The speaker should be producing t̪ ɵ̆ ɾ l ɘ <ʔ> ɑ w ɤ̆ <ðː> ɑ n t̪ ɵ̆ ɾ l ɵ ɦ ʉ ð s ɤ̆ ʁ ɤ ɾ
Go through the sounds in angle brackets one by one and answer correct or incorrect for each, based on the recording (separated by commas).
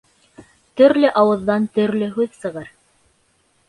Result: correct, correct